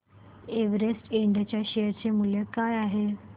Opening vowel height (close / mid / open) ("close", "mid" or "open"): mid